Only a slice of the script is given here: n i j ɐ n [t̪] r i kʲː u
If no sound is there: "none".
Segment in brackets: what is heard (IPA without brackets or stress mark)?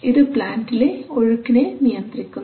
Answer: t̪